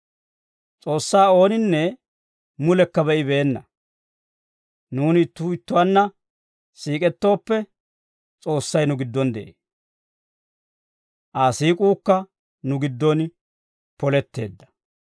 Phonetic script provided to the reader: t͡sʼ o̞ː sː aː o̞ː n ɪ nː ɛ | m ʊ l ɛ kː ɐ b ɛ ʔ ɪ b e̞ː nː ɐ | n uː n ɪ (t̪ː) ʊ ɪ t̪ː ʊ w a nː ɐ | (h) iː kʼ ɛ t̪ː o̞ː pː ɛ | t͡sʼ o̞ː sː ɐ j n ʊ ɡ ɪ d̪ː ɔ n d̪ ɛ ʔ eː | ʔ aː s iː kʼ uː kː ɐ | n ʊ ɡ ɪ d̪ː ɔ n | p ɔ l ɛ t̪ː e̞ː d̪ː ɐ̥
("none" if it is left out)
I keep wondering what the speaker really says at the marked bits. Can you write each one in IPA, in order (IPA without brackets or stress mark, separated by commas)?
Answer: t̪ː, s